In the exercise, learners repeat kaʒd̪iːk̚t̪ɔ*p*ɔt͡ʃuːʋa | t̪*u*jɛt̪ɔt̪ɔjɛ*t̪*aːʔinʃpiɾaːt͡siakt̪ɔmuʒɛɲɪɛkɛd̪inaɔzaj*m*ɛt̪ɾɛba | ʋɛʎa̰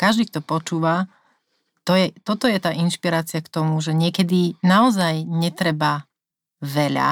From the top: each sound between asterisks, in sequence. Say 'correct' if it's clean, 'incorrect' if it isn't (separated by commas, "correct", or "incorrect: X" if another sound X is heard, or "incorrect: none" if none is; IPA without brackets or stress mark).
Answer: correct, incorrect: ɔ, correct, incorrect: ɲ